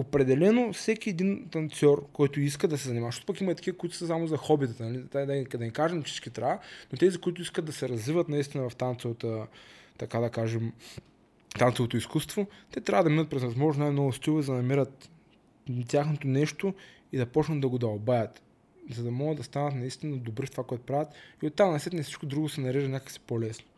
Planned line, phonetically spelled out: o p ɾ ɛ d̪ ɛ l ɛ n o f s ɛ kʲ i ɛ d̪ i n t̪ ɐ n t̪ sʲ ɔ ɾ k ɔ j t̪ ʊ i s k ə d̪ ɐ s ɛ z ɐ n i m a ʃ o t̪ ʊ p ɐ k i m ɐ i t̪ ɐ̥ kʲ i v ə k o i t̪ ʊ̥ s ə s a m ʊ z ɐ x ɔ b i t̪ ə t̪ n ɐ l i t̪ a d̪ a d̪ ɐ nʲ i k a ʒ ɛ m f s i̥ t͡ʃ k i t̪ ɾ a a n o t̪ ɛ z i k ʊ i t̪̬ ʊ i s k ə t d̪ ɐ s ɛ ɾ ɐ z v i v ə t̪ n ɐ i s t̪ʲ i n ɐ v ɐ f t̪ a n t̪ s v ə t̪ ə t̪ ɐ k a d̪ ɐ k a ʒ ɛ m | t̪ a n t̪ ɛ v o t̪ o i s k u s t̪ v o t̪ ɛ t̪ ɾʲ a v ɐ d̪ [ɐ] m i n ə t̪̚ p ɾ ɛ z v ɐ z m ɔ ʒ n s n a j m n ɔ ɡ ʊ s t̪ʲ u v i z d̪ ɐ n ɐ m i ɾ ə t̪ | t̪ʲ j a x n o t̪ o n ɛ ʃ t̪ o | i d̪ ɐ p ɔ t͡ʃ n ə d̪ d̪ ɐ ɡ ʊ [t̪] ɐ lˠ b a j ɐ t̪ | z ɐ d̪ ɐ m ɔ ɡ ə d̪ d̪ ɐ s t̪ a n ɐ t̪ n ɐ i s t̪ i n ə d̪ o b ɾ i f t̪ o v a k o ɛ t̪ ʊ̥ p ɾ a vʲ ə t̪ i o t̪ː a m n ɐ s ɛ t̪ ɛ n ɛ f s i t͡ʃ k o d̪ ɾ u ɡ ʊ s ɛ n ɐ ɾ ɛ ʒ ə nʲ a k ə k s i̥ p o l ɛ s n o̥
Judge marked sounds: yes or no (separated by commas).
yes, no